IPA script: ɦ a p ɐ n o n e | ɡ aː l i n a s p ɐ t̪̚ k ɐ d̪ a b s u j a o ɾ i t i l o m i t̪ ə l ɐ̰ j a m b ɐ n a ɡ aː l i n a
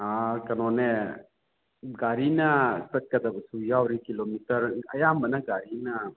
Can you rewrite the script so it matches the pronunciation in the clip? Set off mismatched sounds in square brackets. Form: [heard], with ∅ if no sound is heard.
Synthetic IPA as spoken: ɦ a [k] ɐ n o n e | ɡ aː [ɾ] i n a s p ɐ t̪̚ k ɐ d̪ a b s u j a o ɾ i [k] i l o m i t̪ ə [ɾ] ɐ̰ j a m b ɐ n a ɡ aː [ɾ] i n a